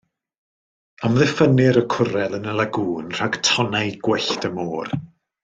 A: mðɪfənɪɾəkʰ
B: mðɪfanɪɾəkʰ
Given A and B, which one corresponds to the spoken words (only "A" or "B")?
A